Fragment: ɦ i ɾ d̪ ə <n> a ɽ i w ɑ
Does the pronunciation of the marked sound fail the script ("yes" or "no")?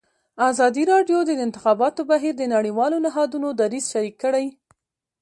no